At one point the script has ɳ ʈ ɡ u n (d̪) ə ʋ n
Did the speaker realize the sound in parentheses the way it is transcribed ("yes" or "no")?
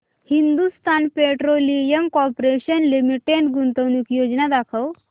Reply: no